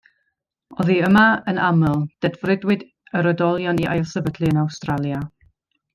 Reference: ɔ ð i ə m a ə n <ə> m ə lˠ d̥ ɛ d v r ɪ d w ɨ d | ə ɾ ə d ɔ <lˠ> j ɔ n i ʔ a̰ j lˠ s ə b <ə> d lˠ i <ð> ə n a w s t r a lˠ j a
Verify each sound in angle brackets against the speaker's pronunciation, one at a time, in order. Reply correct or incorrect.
incorrect: a, correct, correct, incorrect: none

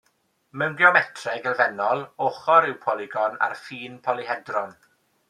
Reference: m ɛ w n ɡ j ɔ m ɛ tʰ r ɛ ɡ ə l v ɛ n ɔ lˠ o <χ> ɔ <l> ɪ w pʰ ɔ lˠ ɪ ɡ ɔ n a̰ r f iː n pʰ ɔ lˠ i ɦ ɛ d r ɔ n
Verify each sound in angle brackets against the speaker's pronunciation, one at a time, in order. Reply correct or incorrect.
correct, incorrect: ɾ

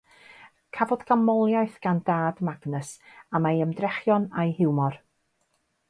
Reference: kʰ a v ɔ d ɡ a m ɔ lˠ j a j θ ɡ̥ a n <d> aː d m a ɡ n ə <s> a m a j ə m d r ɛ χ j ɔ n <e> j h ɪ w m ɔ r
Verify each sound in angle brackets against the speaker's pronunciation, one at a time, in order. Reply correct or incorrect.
correct, correct, incorrect: a

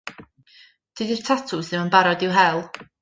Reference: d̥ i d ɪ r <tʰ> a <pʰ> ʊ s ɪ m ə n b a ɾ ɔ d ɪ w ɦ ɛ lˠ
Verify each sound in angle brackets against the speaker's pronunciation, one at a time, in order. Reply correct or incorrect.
correct, incorrect: tʰ

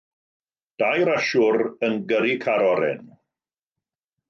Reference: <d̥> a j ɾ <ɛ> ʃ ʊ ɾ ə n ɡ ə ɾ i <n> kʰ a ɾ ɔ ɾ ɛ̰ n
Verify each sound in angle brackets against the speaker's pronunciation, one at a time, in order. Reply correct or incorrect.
correct, incorrect: a, incorrect: none

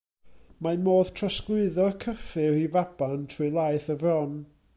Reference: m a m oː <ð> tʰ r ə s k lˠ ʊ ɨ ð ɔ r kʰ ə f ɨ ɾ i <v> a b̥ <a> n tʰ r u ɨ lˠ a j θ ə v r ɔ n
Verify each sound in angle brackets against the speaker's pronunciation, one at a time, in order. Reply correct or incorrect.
correct, correct, correct

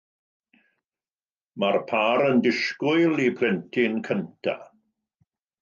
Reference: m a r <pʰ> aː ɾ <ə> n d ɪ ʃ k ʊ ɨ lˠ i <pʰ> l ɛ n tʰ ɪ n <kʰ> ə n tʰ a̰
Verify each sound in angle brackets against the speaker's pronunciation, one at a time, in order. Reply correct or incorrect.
correct, correct, correct, correct

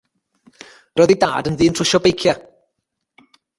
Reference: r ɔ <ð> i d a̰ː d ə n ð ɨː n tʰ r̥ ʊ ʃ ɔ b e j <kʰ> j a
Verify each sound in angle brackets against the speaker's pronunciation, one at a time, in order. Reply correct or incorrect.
correct, correct

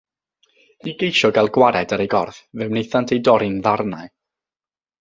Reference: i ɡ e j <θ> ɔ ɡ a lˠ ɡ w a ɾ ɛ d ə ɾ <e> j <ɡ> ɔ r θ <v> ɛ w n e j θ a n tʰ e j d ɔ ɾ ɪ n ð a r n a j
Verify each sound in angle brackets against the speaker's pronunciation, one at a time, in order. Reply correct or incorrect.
incorrect: ʃ, correct, correct, correct

